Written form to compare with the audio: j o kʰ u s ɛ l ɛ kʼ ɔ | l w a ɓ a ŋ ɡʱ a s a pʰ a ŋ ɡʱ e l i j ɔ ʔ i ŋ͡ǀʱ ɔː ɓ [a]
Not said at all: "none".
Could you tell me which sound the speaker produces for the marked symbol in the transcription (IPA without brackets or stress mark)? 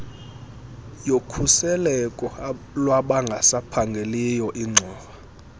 a